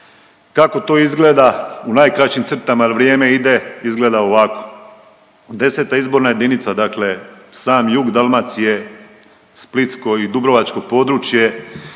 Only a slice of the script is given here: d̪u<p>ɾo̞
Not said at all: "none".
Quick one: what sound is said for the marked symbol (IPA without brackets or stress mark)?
b